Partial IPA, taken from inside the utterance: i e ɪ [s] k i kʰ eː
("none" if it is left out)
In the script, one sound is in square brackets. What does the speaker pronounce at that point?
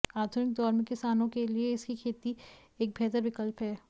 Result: s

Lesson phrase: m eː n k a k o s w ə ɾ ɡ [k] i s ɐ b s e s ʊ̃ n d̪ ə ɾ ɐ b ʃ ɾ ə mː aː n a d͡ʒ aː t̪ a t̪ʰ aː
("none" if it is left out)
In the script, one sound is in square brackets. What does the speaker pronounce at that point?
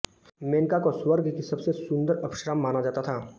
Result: k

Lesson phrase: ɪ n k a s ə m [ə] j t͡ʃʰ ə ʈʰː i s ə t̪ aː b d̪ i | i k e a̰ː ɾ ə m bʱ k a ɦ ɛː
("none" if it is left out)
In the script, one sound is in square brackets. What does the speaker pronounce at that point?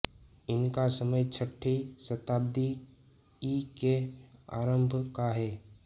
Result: ə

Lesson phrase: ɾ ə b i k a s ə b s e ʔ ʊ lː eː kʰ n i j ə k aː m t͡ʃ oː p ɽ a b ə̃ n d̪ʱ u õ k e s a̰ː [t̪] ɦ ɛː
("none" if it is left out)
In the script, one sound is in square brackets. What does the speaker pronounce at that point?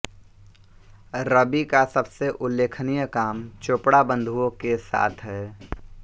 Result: t̪ʰ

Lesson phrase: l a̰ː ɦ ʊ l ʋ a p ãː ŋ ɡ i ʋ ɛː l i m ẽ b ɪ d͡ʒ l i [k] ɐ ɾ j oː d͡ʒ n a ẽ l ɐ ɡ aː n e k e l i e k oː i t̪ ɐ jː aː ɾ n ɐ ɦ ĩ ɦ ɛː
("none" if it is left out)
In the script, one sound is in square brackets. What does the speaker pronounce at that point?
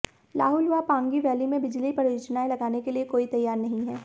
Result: p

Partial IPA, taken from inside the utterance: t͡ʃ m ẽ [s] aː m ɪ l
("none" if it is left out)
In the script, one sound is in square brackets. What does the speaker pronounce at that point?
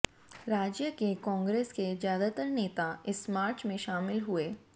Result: ʃ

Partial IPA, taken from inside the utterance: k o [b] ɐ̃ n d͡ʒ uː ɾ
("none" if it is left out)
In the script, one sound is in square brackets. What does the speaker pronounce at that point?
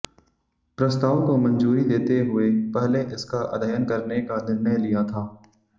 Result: m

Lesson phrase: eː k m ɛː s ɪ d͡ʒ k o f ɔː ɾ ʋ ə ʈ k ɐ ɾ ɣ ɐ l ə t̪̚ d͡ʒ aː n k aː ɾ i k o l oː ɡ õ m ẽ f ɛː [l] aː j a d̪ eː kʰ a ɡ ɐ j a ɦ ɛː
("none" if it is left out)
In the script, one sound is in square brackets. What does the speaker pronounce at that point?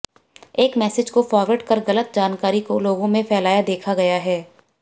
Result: l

